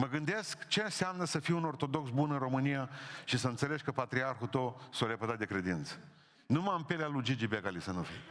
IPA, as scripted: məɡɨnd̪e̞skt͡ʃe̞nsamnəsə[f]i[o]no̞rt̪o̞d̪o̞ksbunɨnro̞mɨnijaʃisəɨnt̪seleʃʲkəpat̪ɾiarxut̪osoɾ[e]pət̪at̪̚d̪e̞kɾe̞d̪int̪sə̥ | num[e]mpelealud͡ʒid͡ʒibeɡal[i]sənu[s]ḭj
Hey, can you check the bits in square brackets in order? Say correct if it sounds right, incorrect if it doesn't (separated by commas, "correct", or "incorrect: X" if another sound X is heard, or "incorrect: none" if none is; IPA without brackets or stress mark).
correct, incorrect: u, correct, incorrect: a, correct, incorrect: f